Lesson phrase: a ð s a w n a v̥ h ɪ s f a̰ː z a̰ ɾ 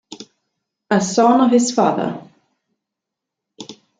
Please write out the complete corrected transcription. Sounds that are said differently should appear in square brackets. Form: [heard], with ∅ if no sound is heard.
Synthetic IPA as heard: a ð s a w n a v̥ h ɪ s f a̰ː [ð] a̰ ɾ